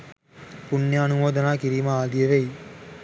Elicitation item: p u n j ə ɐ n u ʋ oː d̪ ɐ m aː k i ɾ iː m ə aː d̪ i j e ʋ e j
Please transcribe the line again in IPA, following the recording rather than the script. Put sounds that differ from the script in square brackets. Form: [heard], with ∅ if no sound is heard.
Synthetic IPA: p u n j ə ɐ n u ʋ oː d̪ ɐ [n] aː k i ɾ iː m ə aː d̪ i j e ʋ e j